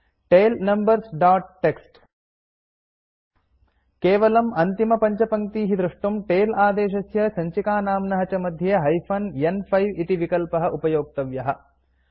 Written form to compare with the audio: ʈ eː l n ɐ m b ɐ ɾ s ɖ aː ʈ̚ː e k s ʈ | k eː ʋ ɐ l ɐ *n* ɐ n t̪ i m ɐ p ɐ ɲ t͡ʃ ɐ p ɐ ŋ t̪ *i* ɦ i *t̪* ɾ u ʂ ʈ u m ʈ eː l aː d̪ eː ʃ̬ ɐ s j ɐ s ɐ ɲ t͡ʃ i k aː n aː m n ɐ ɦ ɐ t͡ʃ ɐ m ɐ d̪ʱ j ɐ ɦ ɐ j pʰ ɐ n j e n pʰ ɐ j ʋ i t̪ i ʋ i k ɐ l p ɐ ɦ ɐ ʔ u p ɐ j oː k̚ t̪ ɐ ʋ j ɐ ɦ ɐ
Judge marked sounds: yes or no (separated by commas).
no, no, no